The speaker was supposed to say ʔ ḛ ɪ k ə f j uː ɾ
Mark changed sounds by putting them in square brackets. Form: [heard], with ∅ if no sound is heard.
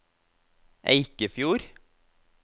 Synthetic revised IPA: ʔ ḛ ɪ k ə f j uː ɾ